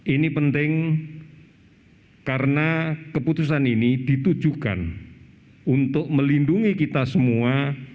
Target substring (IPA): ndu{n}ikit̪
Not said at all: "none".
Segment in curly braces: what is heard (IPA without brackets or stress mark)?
ŋ